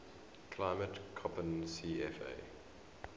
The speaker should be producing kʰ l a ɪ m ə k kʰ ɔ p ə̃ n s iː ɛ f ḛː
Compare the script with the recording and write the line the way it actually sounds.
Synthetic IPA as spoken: kʰ l a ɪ m ə t kʰ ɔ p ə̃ n s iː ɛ f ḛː